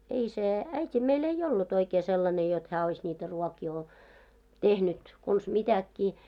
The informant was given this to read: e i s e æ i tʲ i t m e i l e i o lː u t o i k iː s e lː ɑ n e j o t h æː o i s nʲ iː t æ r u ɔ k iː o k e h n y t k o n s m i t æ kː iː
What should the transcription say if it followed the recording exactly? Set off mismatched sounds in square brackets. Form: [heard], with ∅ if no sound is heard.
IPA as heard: e i s e æ i tʲ i [∅] m e i l e i o lː u t o i k [eː] s e lː ɑ n e j o t h æː o i s nʲ iː t æ r u ɔ k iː o [t] e h n y t k o n s m i t æ kː iː